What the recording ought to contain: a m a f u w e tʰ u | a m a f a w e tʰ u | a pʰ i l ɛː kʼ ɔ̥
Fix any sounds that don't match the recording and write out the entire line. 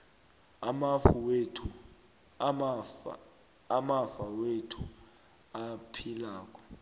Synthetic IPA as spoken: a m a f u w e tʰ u | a m a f a w e tʰ u | a pʰ i l aː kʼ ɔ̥